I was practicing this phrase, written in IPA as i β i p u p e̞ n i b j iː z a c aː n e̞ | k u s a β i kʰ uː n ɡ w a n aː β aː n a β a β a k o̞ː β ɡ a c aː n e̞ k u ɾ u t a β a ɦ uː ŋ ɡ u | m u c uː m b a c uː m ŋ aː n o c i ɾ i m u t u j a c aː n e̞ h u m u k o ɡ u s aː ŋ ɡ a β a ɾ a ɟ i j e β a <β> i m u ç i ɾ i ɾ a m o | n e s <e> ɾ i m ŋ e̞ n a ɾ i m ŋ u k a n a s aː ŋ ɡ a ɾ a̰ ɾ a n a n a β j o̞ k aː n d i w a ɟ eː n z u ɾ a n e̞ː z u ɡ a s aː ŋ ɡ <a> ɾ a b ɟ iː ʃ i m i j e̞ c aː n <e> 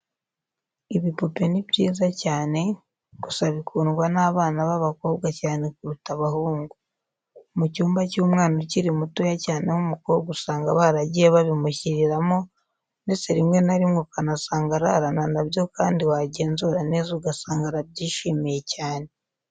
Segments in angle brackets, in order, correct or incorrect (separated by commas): correct, correct, correct, correct